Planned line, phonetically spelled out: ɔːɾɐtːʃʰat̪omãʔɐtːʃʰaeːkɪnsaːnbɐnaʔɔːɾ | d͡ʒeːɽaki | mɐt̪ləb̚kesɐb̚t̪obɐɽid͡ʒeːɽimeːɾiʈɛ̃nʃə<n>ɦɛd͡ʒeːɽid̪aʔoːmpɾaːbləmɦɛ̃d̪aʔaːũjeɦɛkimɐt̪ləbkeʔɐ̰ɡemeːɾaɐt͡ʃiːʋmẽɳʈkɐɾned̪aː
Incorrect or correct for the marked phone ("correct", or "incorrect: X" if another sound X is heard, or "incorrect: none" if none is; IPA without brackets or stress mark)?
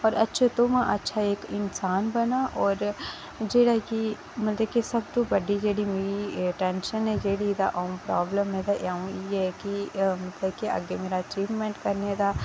correct